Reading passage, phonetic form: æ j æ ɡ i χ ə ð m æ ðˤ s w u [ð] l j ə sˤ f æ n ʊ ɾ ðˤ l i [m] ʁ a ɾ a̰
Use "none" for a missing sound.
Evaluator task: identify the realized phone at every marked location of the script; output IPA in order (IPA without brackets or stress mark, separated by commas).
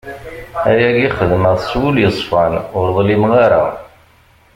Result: none, m